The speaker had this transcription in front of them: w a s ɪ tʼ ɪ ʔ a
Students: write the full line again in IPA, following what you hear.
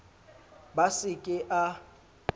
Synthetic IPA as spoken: b a s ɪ kʼ ɪ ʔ a